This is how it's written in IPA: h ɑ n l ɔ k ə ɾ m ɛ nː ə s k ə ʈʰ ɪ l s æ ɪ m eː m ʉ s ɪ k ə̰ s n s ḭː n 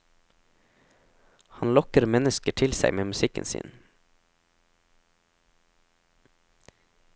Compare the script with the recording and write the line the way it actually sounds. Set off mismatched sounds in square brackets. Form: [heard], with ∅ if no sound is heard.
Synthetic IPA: h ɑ n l ɔ k ə ɾ m ɛ [n] ə s k ə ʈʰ ɪ l s æ ɪ m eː m ʉ s ɪ k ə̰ [∅] n s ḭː n